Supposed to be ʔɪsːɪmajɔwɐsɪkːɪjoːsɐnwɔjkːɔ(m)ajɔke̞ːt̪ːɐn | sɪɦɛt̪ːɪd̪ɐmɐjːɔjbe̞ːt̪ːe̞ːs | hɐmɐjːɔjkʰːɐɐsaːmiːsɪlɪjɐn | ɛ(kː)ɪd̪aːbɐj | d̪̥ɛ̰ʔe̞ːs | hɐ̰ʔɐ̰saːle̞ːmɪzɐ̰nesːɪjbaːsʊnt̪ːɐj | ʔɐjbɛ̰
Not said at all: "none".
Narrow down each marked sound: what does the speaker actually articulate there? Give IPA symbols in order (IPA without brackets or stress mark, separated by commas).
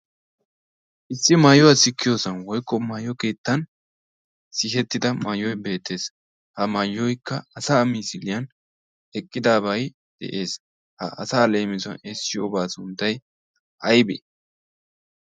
m, kʼː